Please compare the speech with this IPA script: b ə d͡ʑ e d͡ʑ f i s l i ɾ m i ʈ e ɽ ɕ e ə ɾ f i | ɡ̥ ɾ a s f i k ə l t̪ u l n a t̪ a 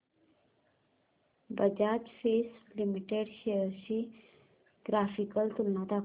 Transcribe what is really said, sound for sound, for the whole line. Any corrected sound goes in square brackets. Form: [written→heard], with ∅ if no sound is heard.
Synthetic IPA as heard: b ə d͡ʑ [e→a] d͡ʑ f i s l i [ɾ→∅] m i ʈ e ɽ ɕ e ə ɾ [f→ɕ] i | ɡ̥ ɾ a [s→∅] f i k ə l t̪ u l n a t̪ a